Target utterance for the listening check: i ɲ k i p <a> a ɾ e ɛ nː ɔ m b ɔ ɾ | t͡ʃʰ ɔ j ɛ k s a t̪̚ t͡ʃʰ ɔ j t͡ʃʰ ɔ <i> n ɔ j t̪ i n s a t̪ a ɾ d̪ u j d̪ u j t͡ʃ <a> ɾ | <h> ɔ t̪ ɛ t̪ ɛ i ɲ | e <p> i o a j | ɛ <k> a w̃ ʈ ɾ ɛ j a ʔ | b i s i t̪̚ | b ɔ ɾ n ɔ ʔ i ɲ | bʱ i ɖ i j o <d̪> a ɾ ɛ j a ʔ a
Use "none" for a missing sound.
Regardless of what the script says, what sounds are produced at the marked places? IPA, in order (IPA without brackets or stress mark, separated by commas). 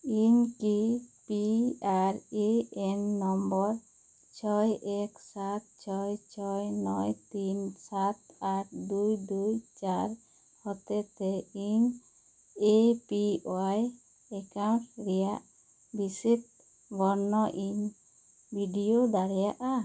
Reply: i, j, a, h, p, k, d̪